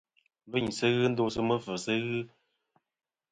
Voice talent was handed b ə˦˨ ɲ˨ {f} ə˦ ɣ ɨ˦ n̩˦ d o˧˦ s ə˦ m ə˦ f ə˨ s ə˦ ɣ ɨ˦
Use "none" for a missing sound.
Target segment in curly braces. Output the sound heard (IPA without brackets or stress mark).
s